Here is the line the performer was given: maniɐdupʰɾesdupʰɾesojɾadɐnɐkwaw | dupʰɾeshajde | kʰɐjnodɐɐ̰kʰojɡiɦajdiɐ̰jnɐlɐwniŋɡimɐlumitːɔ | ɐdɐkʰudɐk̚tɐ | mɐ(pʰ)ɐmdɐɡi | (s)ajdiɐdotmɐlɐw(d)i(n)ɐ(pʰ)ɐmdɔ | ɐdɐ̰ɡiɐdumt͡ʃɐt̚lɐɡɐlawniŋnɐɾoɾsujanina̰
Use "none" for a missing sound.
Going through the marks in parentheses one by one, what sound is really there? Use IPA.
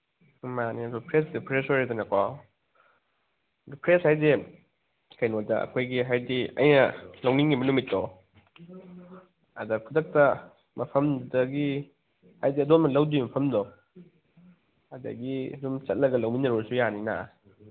pʰ, h, d, m, pʰ

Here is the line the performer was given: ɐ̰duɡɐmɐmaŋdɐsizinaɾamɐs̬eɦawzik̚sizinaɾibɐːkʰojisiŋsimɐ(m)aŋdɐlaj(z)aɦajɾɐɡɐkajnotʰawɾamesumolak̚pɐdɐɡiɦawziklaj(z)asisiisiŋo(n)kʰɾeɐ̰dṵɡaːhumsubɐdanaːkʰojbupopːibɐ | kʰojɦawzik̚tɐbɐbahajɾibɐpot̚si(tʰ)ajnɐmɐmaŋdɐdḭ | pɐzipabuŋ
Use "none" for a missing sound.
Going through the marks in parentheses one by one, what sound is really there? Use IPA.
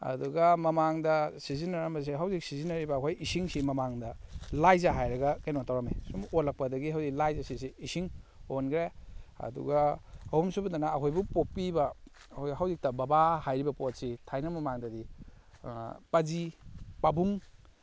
m, z, z, n, tʰ

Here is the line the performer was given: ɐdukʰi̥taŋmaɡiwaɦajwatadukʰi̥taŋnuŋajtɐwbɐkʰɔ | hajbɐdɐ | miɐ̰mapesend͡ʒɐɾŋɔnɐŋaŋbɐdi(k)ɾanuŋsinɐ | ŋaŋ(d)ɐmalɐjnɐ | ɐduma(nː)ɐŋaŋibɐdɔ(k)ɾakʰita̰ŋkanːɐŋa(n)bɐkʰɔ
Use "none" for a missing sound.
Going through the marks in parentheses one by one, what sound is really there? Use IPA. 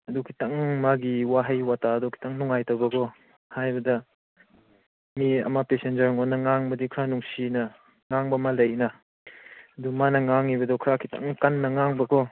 kʰ, b, n, kʰ, ŋ

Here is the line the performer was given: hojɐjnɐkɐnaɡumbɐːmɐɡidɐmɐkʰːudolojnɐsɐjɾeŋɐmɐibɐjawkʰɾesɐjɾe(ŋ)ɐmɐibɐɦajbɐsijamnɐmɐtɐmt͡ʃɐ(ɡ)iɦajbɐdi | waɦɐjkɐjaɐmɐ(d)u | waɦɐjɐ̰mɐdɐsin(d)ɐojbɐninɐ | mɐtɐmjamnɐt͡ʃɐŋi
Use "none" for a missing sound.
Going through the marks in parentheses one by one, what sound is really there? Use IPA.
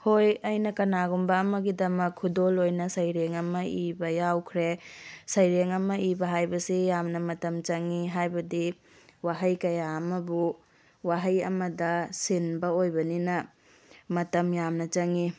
ŋ, ŋ, b, b

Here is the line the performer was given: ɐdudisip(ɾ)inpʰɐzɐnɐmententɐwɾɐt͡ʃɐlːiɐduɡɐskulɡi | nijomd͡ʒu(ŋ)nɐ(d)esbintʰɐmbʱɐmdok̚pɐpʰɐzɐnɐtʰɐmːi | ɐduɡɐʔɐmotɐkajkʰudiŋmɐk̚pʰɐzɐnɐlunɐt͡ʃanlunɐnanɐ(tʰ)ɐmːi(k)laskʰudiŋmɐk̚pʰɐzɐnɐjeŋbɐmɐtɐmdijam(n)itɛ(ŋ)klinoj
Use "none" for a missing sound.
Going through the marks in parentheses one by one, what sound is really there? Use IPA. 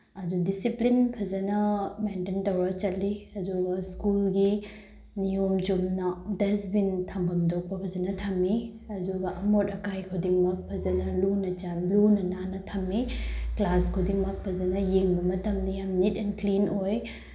l, m, d, tʰ, k, n, n

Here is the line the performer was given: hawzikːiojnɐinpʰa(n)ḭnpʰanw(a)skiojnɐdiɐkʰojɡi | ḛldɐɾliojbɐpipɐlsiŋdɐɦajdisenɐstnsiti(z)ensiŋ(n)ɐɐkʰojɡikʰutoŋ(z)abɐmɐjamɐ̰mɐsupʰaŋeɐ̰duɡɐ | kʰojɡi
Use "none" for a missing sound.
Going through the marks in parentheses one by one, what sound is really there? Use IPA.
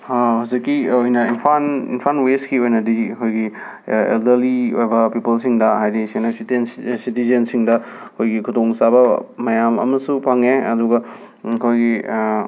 n, e, z, d, s

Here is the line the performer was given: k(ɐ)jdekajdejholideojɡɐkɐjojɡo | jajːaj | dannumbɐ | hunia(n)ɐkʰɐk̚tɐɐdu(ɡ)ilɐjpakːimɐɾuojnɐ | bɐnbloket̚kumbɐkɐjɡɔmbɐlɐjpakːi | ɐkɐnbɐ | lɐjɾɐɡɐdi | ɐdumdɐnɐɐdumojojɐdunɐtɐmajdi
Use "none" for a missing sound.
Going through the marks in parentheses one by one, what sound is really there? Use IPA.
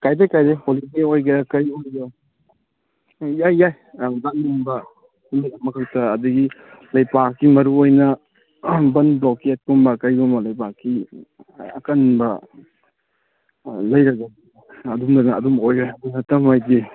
a, m, ɡ

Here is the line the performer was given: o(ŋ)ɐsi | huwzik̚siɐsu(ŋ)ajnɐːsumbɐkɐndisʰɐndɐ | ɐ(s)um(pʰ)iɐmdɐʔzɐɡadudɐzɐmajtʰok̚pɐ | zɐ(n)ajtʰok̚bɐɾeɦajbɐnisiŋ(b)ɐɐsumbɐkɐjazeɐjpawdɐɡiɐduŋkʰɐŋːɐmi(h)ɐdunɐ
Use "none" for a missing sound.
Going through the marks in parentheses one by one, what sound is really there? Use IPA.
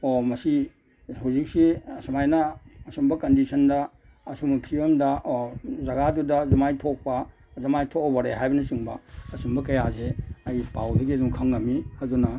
m, m, s, pʰ, m, b, h

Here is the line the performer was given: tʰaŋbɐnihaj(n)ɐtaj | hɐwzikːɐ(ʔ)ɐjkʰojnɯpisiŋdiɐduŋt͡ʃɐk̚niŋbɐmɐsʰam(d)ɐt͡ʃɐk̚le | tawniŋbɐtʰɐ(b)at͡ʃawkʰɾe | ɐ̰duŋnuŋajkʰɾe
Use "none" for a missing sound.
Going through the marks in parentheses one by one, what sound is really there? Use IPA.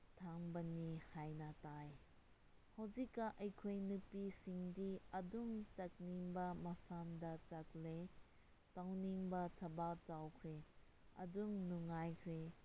n, ʔ, d, b

